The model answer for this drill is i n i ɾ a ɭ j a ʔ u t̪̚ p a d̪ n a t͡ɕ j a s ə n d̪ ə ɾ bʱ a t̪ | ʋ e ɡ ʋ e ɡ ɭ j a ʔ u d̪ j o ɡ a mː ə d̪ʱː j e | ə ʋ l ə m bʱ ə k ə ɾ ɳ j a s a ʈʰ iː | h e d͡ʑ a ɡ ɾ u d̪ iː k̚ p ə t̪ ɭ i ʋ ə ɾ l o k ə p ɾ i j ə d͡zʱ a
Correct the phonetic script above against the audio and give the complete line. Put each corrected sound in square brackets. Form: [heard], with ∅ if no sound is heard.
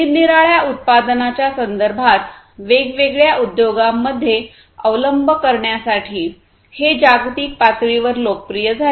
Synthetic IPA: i n i ɾ a ɭ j a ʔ u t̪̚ p a d̪ n a t͡ɕ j a s ə n d̪ ə ɾ bʱ a t̪ | ʋ e ɡ ʋ e ɡ ɭ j a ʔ u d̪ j o ɡ a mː ə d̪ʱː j e | ə ʋ l ə m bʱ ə k ə ɾ ɳ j a s a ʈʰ iː | h e d͡ʑ a ɡ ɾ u [t̪] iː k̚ p [a] t̪ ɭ i ʋ ə ɾ l o k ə p ɾ i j ə d͡zʱ a

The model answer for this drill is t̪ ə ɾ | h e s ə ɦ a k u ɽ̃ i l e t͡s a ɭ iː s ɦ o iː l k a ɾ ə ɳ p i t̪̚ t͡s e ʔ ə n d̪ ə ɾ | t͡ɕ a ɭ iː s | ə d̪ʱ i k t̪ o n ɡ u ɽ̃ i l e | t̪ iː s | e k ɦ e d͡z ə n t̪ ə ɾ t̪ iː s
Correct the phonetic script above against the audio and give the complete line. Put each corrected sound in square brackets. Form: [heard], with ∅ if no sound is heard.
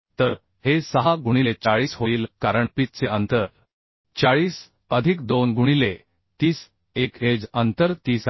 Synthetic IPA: t̪ ə ɾ | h e s ə ɦ a [ɡ] u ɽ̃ i l e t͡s a ɭ iː s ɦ o iː l k a ɾ ə ɳ p i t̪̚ t͡s e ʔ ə n [t̪] ə ɾ | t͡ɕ a ɭ iː s | ə d̪ʱ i k [d̪] o n ɡ u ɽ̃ i l e | t̪ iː s | e k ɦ e d͡z ə n t̪ ə ɾ t̪ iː s

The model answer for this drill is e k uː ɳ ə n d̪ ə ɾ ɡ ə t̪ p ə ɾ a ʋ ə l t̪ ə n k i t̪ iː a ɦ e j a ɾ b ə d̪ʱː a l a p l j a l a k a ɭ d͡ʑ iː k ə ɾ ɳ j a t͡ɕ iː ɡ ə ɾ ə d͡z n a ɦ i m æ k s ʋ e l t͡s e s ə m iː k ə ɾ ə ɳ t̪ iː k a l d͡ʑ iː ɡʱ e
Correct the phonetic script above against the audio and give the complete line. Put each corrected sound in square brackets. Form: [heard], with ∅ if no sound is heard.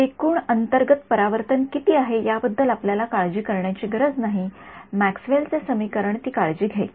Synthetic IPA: e k uː ɳ ə n [t̪] ə ɾ ɡ ə t̪ p ə ɾ a ʋ ə [ɾ] t̪ ə n k i t̪ iː a ɦ e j a [∅] b ə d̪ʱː [ə] l a p l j a l a k a ɭ d͡ʑ iː k ə ɾ ɳ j a t͡ɕ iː ɡ ə ɾ ə d͡z n a ɦ i m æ k s ʋ e l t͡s e s ə m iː k ə ɾ ə ɳ t̪ iː k a [ɭ] d͡ʑ iː ɡʱ e

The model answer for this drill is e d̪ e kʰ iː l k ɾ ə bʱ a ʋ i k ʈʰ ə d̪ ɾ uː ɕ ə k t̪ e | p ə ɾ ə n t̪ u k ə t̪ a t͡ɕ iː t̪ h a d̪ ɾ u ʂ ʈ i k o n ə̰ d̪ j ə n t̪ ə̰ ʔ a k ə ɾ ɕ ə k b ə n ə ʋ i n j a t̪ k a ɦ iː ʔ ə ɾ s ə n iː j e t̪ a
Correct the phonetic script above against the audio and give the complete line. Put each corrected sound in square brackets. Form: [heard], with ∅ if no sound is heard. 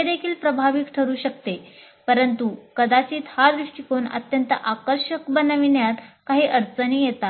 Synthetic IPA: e d̪ e kʰ iː l [p] ɾ ə bʱ a ʋ i k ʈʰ ə [∅] ɾ uː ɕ ə k t̪ e | p ə ɾ ə n t̪ u k ə [d̪] a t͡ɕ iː t̪ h a d̪ ɾ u ʂ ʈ i k o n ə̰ [t̪] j ə n t̪ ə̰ ʔ a k ə ɾ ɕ ə k b ə n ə ʋ i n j a t̪ k a ɦ iː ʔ ə ɾ [t͡s] ə n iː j e t̪ a

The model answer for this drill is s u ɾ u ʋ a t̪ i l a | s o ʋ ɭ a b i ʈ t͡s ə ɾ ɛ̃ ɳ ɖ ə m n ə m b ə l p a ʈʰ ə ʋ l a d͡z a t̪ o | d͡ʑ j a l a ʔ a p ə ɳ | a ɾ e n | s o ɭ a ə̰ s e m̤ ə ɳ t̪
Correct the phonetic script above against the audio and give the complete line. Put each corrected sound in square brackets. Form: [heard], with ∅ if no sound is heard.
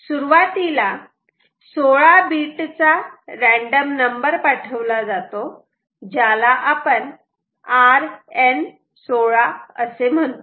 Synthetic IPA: s u ɾ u ʋ a t̪ i l a | s o [∅] ɭ a b i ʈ t͡s [a] ɾ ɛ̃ ɳ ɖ ə m n ə m b ə [ɾ] p a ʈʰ ə ʋ l a d͡z a t̪ o | d͡ʑ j a l a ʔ a p ə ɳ | a ɾ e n | s o ɭ a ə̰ s e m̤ ə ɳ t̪

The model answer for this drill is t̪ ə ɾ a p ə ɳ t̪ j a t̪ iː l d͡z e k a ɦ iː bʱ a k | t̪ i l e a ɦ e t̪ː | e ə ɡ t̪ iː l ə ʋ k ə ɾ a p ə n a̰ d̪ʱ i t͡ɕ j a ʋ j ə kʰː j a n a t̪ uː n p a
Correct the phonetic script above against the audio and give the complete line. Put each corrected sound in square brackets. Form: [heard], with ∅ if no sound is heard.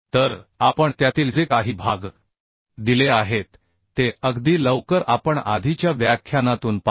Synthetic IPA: t̪ ə ɾ a p ə ɳ t̪ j a t̪ iː l d͡z e k a ɦ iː bʱ a [ɡ] | [d̪] i l e a ɦ e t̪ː | e ə ɡ [d̪] iː l ə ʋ k ə ɾ a p ə [ɳ] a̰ d̪ʱ i t͡ɕ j a ʋ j [a] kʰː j a n a t̪ uː n p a

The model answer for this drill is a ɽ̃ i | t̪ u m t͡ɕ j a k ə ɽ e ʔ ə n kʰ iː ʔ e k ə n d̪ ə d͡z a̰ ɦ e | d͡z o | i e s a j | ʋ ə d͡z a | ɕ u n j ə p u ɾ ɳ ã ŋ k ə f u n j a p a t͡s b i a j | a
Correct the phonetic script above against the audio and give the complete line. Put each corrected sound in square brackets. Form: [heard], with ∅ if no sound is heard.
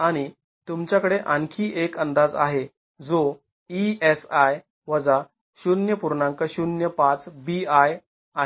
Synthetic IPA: a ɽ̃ i | t̪ u m t͡ɕ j a k ə ɽ e ʔ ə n kʰ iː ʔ e k ə n d̪ [a] d͡z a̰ ɦ e | d͡z o | i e s a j | ʋ ə d͡z a | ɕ u n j ə p u ɾ ɳ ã ŋ k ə [ɕ] u n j [ə] p a t͡s b i a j | a

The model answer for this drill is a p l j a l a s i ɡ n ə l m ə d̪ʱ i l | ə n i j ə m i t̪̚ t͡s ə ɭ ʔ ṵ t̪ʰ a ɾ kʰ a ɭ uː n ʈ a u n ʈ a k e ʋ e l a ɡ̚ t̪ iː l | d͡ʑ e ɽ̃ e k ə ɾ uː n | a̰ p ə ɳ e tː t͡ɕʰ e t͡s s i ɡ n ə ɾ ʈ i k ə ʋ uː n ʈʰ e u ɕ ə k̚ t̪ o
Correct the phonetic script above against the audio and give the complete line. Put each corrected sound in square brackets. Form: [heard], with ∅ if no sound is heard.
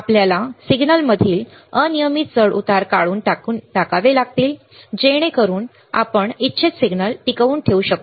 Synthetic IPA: a p l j a l a s i ɡ n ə l m ə d̪ʱ [iː] l | ə n i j ə m i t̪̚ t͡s ə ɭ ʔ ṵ [t̪] a ɾ [k] a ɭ uː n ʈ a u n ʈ a k [a] ʋ e l a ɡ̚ t̪ iː l | d͡ʑ e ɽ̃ e k ə ɾ uː n | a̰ p ə ɳ [i] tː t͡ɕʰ e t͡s s i ɡ n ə [l] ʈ i k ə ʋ uː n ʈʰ e u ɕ ə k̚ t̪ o

